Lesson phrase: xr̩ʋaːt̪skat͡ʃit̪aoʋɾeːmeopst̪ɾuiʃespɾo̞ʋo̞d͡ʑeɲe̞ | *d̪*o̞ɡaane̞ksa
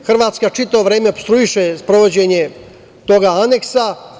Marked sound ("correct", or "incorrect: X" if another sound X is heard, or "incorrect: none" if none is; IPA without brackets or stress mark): incorrect: t̪